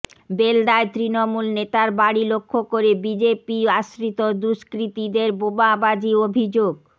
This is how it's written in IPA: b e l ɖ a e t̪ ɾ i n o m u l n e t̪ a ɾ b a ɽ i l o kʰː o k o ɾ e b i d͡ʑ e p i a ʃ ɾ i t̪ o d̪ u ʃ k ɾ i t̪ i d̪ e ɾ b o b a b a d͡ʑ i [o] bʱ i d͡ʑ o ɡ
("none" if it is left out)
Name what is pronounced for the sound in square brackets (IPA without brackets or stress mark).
o